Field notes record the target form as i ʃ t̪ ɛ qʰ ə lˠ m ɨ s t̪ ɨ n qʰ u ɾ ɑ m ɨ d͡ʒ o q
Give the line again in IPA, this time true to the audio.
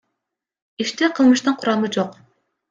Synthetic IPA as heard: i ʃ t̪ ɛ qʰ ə lˠ m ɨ ʃ t̪ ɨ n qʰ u ɾ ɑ m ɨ d͡ʒ o q